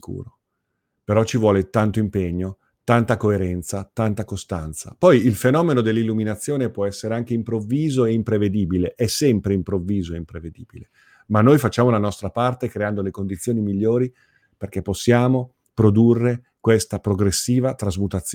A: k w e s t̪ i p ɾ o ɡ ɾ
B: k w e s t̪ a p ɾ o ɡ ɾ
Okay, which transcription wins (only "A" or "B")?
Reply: B